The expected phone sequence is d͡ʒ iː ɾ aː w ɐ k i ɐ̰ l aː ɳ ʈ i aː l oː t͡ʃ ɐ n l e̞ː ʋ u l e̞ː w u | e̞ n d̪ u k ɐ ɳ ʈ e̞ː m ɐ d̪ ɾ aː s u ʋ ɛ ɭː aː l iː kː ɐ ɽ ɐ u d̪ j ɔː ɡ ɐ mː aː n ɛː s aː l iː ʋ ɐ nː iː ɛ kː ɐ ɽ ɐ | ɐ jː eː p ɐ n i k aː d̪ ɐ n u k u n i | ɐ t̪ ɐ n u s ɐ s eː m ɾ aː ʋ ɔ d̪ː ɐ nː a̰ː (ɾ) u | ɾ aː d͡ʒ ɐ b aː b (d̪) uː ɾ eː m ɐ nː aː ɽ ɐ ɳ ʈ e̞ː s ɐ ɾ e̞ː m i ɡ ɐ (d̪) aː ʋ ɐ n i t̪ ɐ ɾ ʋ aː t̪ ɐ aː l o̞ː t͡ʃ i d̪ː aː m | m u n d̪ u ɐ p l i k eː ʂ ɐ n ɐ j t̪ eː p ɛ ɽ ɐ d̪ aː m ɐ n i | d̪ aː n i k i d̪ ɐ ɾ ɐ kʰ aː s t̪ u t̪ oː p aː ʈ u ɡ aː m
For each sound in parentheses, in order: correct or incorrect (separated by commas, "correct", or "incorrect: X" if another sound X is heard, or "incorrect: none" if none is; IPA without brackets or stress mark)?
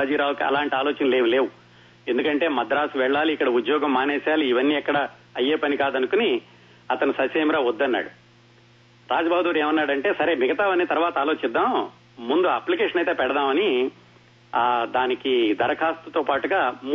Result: incorrect: ɽ, correct, incorrect: t̪